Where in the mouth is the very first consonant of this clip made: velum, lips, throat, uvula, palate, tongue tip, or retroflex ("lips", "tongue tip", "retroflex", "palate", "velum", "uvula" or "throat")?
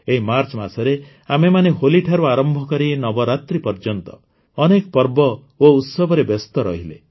throat